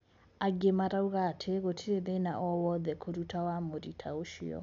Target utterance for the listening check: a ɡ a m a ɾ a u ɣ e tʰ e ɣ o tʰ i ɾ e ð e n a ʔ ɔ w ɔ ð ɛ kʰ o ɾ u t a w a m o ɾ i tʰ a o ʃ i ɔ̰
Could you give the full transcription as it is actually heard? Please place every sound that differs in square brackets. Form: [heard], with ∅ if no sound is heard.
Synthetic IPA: a ɡ [e] m a ɾ a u ɣ [a] tʰ e ɣ o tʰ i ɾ e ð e n a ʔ ɔ w ɔ ð ɛ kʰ o ɾ u t a w a m o ɾ i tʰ a o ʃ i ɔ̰

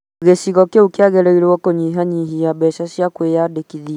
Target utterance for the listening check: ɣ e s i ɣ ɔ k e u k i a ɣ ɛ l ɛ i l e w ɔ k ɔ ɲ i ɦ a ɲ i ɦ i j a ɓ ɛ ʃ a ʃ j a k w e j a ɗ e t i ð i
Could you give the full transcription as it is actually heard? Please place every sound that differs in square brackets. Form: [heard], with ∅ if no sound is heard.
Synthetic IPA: ɣ e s i ɣ ɔ k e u k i a ɣ ɛ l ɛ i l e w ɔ k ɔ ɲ i ɦ a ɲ i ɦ i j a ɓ ɛ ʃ a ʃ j a k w e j a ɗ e [k] i ð i

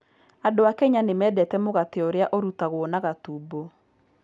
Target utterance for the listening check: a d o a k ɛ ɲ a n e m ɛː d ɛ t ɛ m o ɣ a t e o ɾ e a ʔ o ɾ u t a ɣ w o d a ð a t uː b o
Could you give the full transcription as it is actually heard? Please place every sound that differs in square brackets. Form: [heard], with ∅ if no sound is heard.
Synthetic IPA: a d o a k ɛ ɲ a n e m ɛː d ɛ t ɛ m o ɣ a t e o ɾ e a ʔ o ɾ u t a ɣ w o [n] a [ɣ] a t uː b o

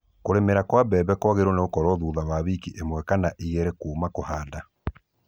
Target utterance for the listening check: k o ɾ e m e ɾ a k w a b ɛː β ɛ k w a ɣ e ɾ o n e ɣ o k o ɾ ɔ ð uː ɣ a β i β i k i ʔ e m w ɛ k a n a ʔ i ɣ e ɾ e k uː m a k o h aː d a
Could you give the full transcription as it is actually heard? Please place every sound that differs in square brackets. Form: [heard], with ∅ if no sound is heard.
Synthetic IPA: k o ɾ e m e ɾ a k w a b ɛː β ɛ k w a ɣ e ɾ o n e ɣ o k [ɔ] ɾ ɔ ð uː [ð] a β [a] β i k i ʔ e m w ɛ k a n a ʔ i ɣ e ɾ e k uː m a k o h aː d a

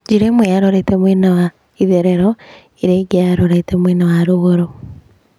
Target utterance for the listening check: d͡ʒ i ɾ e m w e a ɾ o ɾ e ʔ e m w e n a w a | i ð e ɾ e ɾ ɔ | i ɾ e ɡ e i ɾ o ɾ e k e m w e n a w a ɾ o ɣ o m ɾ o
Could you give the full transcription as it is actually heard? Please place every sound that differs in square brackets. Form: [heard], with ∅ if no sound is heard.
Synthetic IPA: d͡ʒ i ɾ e m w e a ɾ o ɾ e [t] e m w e n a w a | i ð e ɾ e ɾ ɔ | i ɾ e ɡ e [a] ɾ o ɾ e [t] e m w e n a w a ɾ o ɣ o [∅] ɾ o

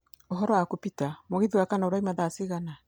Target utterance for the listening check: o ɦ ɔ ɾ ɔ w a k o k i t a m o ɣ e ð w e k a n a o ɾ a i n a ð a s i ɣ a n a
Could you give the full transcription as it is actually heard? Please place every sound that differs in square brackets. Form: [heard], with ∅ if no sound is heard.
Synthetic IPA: o ɦ ɔ ɾ ɔ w a k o [p] i t a m o ɣ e ð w [a] k a n a o ɾ a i [m] a ð a s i ɣ a n a

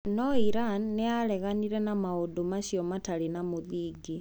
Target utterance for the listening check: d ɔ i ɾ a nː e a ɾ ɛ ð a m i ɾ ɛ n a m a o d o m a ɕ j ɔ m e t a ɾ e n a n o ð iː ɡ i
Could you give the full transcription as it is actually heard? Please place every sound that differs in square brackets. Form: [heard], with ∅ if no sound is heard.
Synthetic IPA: [n] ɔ i ɾ a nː e a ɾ ɛ [ɣ] a [n] i ɾ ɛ n a m a o d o m a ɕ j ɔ m [a] t a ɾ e n a [m] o ð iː ɡ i

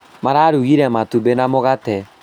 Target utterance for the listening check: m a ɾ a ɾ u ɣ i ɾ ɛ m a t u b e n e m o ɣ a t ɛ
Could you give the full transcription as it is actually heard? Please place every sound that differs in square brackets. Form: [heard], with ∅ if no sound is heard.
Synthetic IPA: m a ɾ a ɾ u ɣ i ɾ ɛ m a t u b e n [a] m o ɣ a t ɛ

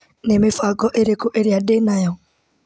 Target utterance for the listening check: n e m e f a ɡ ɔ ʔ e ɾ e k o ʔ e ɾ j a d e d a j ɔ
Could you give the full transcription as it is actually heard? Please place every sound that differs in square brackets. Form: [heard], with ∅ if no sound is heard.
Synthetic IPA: n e m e f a ɡ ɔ ʔ e ɾ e k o ʔ e ɾ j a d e [n] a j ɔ

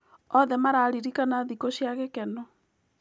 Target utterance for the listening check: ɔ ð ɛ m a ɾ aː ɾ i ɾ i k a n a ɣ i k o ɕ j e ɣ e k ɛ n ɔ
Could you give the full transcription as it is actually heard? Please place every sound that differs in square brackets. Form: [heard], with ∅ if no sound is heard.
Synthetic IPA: ɔ ð ɛ m a ɾ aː ɾ i ɾ i k a n a [ð] i k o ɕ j [a] ɣ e k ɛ n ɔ

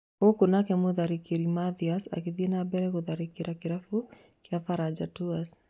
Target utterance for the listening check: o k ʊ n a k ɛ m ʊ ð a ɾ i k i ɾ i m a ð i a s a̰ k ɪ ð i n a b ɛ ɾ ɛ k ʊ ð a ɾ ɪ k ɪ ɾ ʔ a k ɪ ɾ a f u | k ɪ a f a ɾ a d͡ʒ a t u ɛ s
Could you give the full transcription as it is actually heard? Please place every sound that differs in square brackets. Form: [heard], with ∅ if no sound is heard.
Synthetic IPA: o k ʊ n a k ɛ m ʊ ð a ɾ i k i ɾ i m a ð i a s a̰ k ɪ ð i n a b ɛ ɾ ɛ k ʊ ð a ɾ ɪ k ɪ ɾ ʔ a k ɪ ɾ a f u | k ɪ a f a ɾ a d͡ʒ a t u [a] s

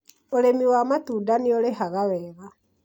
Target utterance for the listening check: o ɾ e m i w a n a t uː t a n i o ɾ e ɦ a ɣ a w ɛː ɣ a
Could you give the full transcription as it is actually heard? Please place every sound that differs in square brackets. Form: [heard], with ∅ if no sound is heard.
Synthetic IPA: o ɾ e m i w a [m] a t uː [d] a n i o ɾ e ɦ a ɣ a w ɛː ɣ a

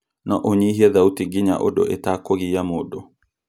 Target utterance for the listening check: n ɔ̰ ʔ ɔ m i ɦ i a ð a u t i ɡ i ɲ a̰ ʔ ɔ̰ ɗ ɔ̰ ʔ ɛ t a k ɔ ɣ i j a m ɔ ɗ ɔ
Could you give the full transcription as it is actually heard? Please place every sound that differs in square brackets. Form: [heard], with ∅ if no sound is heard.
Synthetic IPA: n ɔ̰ ʔ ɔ [ɲ] i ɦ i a ð a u t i ɡ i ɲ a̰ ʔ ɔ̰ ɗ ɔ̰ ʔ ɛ t a k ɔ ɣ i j a m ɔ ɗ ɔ

